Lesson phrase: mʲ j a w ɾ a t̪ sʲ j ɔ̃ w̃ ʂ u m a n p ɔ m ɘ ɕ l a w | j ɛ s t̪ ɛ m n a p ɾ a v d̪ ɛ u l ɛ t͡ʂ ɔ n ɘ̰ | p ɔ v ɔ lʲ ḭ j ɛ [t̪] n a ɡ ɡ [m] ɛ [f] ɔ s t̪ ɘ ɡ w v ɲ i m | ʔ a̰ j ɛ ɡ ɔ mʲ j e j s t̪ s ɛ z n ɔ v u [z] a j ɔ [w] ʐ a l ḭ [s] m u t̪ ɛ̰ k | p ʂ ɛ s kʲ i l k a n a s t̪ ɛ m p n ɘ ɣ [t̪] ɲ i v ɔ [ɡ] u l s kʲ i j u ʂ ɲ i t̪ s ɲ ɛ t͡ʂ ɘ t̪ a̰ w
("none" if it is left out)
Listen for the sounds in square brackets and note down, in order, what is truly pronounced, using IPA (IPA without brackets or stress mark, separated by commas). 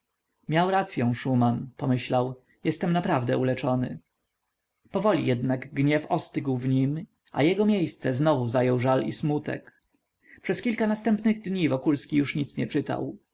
d̪, ɲ, f, z, w, s, d̪, k